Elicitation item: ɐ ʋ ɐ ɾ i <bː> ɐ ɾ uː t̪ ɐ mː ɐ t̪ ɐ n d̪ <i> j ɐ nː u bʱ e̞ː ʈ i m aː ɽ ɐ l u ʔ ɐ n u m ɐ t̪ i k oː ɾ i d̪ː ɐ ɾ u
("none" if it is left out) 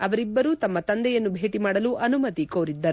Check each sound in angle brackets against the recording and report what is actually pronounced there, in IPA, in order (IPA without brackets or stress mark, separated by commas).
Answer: bː, ɛ